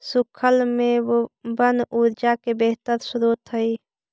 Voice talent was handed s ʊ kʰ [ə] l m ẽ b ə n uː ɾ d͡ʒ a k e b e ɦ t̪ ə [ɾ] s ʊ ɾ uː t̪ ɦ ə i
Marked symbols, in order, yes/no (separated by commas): yes, yes